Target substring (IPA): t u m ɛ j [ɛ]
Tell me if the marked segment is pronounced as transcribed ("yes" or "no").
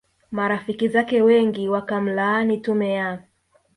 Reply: no